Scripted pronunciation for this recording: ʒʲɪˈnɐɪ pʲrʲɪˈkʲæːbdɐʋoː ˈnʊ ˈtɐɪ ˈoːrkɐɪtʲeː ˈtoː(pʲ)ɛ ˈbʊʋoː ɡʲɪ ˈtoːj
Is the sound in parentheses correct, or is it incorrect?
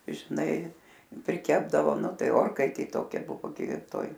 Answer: incorrect